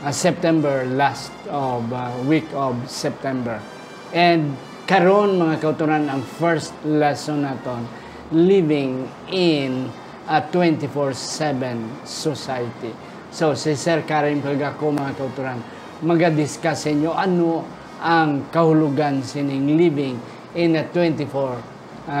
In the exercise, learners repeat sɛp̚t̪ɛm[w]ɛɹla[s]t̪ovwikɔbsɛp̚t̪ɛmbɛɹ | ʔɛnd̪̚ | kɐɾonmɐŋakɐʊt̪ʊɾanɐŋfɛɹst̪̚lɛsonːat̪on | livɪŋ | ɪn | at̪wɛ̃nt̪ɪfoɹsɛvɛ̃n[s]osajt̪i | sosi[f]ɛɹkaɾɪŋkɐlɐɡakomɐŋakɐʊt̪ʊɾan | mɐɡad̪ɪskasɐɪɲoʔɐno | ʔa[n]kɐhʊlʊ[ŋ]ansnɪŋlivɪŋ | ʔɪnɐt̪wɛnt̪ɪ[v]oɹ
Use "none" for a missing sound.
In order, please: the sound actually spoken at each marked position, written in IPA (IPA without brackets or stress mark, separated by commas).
b, s, s, s, ŋ, ɡ, f